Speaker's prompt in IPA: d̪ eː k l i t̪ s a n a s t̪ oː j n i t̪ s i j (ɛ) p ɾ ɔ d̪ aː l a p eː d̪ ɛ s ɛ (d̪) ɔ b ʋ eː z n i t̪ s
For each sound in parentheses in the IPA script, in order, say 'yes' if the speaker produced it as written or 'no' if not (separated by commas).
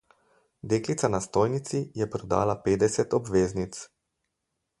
yes, no